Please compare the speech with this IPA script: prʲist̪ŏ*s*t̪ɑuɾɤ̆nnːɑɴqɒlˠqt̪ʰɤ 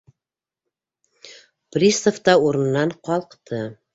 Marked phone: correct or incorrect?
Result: incorrect: f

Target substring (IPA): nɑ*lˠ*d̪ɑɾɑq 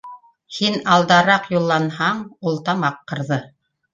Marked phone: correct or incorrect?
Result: correct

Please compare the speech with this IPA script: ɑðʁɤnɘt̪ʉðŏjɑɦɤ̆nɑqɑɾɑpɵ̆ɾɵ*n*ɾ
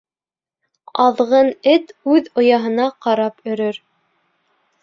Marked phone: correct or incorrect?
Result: incorrect: none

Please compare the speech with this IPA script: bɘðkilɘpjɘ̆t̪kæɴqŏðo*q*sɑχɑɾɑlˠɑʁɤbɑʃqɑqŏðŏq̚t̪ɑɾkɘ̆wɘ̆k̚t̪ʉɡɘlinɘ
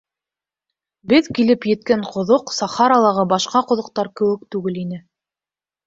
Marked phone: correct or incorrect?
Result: correct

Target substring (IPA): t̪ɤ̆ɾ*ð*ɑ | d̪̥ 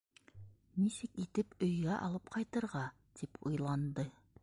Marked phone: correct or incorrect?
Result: incorrect: ʁ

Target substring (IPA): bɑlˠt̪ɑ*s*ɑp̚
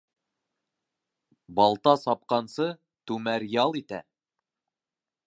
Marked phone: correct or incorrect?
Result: correct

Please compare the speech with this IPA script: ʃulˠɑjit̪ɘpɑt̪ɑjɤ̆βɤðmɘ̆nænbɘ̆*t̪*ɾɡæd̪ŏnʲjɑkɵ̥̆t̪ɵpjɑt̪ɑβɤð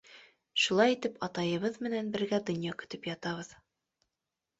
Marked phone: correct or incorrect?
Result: incorrect: none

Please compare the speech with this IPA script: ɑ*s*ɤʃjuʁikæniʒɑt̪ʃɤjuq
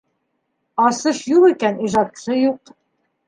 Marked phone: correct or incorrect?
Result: correct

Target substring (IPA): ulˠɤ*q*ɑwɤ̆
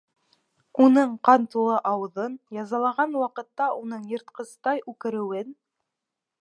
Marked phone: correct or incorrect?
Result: incorrect: ʔ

